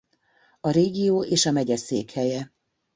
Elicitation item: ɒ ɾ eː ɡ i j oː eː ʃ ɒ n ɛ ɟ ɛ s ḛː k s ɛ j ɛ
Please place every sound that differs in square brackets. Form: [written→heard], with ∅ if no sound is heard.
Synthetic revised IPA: ɒ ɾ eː ɡ i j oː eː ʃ ɒ [n→m] ɛ ɟ ɛ s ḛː k [s→h] ɛ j ɛ